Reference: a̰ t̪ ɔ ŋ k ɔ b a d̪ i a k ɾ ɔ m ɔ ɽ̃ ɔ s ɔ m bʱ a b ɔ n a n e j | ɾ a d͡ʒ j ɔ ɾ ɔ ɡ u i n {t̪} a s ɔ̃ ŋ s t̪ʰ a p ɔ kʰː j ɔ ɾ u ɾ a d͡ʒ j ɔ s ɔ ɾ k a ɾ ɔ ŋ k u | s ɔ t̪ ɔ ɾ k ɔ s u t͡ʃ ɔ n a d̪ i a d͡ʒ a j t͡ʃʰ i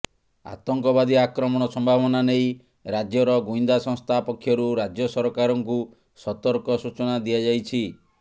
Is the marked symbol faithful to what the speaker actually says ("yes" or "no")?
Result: no